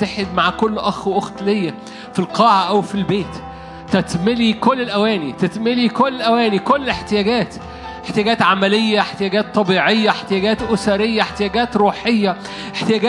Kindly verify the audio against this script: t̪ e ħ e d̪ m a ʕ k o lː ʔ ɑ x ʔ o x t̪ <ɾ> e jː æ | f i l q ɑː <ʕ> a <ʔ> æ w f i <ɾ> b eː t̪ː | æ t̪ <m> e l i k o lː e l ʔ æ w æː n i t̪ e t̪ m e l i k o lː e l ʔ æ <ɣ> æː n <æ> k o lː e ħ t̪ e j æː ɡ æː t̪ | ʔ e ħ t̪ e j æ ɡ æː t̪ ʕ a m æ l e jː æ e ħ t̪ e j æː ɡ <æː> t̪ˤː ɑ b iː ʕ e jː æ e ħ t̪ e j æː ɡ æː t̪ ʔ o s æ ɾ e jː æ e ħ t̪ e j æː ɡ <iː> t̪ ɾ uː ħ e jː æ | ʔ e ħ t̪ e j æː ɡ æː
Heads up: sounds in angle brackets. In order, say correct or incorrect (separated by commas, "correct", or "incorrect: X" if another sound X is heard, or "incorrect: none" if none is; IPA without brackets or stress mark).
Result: incorrect: l, correct, correct, incorrect: l, correct, incorrect: w, incorrect: i, correct, incorrect: æː